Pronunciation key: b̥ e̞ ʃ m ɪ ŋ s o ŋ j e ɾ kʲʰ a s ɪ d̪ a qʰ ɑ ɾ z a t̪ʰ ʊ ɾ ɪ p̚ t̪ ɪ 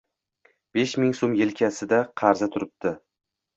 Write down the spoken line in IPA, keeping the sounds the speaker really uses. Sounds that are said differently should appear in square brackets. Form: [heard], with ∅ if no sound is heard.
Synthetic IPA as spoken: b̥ e̞ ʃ m ɪ ŋ s o [m] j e [l] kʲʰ a s ɪ d̪ a qʰ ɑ ɾ z a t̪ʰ ʊ ɾ ɪ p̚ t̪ ɪ